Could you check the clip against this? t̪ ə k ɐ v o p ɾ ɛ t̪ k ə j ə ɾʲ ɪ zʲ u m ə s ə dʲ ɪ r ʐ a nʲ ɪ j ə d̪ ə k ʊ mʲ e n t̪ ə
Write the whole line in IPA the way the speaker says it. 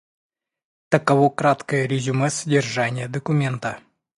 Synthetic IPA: t̪ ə k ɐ v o k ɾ a t̪ k ə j ə ɾʲ ɪ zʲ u m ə s ə dʲ ɪ r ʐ a nʲ ɪ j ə d̪ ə k ʊ mʲ e n t̪ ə